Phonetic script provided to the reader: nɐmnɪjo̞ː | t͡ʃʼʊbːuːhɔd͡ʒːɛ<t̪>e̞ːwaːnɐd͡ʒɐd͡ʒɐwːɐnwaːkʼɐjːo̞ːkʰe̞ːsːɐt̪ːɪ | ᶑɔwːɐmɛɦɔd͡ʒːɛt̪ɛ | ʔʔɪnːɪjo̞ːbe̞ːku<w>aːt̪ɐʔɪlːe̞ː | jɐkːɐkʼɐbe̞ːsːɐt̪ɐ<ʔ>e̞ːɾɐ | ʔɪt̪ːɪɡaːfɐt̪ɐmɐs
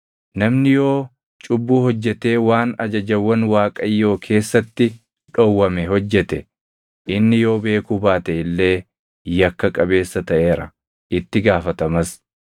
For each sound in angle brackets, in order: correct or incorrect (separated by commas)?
correct, incorrect, correct